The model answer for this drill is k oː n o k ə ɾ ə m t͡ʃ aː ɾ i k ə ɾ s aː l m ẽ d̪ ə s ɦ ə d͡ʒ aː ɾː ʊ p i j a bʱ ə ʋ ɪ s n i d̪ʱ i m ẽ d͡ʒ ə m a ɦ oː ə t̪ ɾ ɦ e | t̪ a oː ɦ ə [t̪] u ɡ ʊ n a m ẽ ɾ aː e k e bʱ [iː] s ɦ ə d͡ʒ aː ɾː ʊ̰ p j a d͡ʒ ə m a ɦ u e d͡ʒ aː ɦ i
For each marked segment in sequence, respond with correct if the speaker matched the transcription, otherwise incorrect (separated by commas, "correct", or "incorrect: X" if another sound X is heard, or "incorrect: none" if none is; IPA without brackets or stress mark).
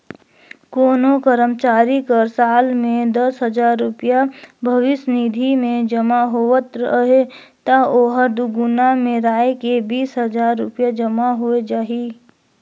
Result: incorrect: d̪, correct